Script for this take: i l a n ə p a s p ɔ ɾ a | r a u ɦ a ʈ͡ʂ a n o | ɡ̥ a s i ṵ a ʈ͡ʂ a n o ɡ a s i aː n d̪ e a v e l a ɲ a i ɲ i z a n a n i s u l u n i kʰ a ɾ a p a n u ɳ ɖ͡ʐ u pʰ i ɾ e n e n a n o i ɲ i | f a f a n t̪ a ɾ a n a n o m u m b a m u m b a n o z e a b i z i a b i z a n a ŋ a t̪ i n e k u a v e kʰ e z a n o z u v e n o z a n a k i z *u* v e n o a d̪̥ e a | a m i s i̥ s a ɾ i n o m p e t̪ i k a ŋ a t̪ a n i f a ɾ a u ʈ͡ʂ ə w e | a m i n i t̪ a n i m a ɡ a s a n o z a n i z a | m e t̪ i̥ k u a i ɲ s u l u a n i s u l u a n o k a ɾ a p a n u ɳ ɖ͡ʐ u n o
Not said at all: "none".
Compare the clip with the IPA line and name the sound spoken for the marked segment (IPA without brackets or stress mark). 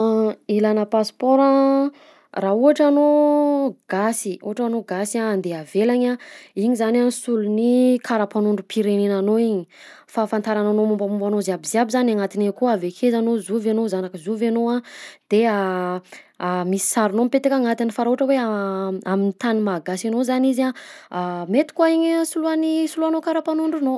u